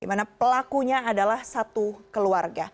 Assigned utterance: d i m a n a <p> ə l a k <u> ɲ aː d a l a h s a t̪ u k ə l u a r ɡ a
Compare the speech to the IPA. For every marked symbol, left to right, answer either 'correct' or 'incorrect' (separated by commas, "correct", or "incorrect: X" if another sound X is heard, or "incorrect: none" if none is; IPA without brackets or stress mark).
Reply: correct, correct